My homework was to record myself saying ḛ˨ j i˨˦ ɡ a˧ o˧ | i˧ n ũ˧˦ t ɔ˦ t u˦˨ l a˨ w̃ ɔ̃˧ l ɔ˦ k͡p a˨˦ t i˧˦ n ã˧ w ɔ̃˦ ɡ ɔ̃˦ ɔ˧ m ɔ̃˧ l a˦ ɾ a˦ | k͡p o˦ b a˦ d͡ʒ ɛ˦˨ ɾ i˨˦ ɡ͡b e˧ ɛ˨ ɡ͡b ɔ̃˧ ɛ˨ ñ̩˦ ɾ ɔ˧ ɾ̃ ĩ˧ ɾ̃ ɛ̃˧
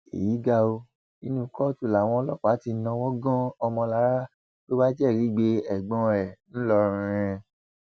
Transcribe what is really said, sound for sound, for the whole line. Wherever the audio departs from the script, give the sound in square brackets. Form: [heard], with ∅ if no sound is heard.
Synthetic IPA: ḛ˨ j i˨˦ ɡ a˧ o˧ | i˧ n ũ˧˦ [k] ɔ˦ t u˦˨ l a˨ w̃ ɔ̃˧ l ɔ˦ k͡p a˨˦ t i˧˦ n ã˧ w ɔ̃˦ ɡ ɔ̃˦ ɔ˧ m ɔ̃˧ l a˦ ɾ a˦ | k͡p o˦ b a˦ d͡ʒ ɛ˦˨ ɾ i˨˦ ɡ͡b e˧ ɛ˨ ɡ͡b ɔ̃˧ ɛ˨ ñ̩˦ [l] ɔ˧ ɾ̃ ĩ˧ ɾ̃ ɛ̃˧